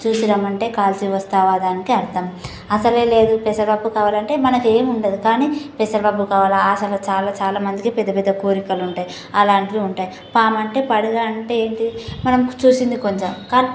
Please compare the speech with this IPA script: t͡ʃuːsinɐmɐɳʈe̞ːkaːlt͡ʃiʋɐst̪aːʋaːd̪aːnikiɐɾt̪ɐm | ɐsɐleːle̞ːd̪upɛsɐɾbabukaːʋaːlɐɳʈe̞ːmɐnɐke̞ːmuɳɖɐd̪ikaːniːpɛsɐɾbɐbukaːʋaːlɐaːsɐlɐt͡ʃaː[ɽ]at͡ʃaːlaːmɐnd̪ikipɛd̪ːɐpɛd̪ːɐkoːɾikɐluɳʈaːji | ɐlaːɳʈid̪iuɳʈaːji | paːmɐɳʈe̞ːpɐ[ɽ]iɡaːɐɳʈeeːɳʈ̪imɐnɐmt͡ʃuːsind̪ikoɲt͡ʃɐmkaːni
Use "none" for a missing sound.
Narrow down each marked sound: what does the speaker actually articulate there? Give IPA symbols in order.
l, ɽ

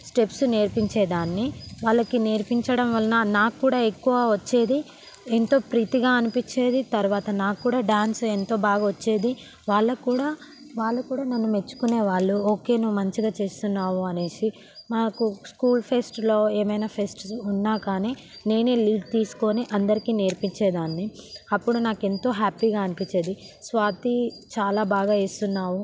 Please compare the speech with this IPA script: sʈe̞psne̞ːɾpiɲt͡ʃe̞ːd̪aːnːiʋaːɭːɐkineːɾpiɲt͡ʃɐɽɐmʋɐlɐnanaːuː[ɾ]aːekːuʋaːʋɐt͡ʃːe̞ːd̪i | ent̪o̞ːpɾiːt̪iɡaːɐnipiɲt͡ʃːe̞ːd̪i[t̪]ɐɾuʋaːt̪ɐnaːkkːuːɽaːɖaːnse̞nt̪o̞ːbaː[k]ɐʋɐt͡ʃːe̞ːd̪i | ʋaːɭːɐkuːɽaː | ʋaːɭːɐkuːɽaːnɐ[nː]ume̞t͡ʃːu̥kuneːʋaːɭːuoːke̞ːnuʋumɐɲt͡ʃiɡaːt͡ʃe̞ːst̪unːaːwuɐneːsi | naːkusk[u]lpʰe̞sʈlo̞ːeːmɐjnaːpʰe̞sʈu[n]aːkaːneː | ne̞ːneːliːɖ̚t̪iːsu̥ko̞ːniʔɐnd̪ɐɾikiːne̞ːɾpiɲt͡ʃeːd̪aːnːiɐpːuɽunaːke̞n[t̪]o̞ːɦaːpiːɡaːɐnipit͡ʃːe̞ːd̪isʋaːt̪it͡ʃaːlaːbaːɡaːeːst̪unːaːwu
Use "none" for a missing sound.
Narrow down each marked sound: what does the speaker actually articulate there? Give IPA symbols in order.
ɽ, t̪, ɡ, nː, uː, nː, t̪

